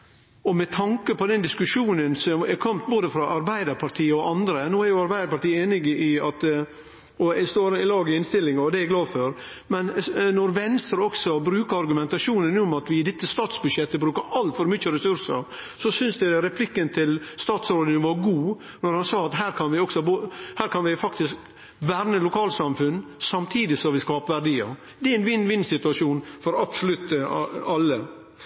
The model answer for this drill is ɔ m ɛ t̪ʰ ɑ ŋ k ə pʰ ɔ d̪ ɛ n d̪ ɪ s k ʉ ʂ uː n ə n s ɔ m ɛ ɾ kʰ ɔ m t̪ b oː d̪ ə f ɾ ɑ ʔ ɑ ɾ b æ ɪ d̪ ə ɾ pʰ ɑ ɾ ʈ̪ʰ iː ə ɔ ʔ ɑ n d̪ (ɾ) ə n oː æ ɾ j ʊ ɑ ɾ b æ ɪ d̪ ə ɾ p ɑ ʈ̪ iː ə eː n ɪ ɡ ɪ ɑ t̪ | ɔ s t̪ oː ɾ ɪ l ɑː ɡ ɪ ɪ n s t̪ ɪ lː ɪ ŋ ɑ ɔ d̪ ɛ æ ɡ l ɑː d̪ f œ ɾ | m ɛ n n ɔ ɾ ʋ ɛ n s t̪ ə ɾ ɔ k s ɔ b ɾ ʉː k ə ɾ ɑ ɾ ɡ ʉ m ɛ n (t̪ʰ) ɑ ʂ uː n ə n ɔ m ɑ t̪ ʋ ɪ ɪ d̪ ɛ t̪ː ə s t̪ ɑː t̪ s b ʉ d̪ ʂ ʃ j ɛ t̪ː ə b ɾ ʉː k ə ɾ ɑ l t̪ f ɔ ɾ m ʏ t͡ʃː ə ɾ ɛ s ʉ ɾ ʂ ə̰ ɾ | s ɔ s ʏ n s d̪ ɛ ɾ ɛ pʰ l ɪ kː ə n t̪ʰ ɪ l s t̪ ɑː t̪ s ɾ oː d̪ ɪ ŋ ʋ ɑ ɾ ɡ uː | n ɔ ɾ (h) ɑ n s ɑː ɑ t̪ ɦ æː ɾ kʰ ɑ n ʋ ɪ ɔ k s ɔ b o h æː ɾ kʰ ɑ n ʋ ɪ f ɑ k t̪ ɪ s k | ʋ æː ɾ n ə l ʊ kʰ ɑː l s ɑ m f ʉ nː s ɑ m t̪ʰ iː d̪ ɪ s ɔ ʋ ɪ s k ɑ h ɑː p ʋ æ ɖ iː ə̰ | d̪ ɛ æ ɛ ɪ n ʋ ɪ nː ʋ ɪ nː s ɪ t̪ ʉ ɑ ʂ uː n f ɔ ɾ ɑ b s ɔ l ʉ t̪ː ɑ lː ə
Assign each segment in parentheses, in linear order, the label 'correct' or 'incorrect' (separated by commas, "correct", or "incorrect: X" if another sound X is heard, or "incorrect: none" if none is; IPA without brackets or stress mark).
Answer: correct, incorrect: t̪, correct